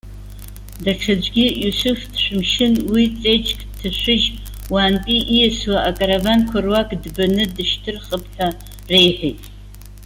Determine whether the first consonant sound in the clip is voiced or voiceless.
voiced